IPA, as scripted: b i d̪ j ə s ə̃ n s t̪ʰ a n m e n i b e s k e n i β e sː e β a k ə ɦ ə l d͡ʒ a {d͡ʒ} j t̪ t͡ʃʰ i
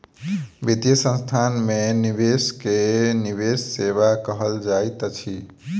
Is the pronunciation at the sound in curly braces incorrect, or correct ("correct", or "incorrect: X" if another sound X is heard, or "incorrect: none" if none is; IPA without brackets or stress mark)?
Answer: incorrect: none